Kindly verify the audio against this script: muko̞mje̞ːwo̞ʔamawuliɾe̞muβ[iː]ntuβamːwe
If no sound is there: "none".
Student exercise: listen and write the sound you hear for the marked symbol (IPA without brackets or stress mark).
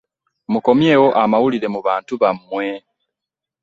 aː